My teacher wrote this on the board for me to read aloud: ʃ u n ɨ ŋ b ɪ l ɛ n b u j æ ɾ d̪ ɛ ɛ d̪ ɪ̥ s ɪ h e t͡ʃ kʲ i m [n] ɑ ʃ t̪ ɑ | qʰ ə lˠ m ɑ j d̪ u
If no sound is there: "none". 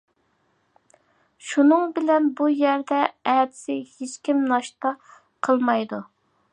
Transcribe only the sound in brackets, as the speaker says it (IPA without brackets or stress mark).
n